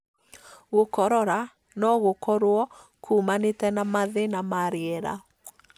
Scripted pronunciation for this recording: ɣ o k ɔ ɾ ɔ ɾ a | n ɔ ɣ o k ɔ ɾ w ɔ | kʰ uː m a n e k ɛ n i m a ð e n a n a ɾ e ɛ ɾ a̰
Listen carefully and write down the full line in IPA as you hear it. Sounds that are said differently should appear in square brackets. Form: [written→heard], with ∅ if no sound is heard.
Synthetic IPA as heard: ɣ o k ɔ ɾ ɔ ɾ a | n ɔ ɣ o k ɔ ɾ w ɔ | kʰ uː m a n e [k→t] ɛ n [i→a] m a ð e n a [n→m] a ɾ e ɛ ɾ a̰